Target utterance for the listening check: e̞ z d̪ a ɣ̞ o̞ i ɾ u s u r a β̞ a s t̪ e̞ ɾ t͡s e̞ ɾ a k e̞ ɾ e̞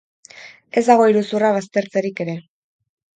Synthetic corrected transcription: e̞ z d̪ a ɣ̞ o̞ i ɾ u s u r a β̞ a s t̪ e̞ ɾ t͡s e̞ ɾ i k e̞ ɾ e̞

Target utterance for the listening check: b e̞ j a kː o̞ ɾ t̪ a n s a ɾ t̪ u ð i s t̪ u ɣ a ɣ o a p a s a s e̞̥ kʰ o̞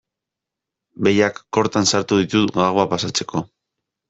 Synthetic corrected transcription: b e̞ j a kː o̞ ɾ t̪ a n s a ɾ t̪ u ð i t̪ u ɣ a ɣ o a p a s a t͡s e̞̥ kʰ o̞

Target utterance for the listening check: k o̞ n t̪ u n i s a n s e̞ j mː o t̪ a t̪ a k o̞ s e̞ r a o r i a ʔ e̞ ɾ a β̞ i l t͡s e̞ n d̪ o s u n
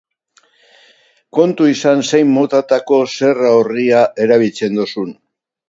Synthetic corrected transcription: k o̞ n t̪ u i s a n s e̞ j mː o t̪ a t̪ a k o̞ s e̞ r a o r i a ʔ e̞ ɾ a β̞ i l t͡s e̞ n d̪ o s u n

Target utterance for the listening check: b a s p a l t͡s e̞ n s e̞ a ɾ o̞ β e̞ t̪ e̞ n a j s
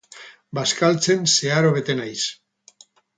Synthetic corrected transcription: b a s k a l t͡s e̞ n s e̞ a ɾ o̞ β e̞ t̪ e̞ n a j s

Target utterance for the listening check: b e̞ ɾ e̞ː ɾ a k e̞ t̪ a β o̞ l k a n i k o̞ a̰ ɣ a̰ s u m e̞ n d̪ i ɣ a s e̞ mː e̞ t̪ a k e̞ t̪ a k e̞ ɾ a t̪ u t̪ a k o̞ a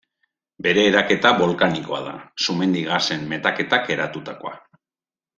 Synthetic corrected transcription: b e̞ ɾ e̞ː ɾ a k e̞ t̪ a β o̞ l k a n i k o̞ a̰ ð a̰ s u m e̞ n d̪ i ɣ a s e̞ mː e̞ t̪ a k e̞ t̪ a k e̞ ɾ a t̪ u t̪ a k o̞ a

